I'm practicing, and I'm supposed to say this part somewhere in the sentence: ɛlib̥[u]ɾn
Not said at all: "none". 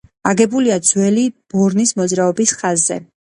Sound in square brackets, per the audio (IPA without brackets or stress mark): ɔ